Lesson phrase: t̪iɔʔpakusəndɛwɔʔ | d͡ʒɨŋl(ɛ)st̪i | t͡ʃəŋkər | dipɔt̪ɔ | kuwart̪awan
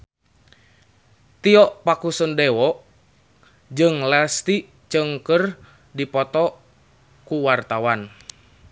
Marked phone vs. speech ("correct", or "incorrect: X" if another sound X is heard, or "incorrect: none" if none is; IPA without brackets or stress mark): incorrect: a